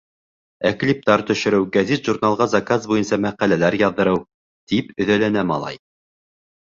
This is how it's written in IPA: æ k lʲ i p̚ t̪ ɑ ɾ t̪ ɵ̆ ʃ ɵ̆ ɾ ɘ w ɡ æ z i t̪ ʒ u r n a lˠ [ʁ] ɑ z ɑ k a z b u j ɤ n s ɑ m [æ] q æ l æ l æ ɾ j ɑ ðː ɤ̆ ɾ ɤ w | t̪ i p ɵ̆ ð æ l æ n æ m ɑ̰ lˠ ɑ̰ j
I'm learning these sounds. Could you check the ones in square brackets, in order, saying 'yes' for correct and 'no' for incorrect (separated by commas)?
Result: yes, yes